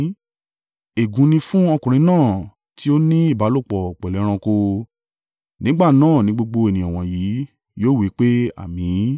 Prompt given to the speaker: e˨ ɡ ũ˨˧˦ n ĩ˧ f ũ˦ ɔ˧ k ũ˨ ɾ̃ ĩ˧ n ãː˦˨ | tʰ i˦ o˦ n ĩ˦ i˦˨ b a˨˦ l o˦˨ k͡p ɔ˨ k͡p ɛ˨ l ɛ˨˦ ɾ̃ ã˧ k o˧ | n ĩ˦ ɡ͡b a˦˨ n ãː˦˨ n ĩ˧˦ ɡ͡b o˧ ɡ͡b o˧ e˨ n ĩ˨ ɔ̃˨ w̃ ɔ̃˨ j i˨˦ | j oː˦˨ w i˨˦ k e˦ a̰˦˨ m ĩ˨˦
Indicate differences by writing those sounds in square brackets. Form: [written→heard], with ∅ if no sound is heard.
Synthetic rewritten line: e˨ ɡ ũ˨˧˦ n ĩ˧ f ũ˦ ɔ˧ k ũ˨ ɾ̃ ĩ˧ n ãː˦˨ | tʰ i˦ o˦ n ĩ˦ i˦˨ b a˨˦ l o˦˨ k͡p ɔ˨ k͡p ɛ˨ l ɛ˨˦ ɾ̃ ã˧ k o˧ | n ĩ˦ ɡ͡b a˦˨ n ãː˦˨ n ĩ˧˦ ɡ͡b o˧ ɡ͡b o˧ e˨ n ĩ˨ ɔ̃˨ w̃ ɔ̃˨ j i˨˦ | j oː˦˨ w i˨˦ [k→k͡p] e˦ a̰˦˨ m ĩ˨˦